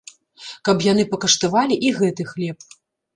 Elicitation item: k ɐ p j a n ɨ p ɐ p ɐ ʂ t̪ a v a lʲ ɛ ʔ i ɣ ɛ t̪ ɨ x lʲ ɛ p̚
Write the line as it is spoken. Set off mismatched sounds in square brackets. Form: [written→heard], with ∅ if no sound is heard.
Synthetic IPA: k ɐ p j a n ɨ p ɐ [p→k] ɐ ʂ t̪ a v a lʲ [ɛ→i] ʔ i ɣ ɛ t̪ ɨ x lʲ ɛ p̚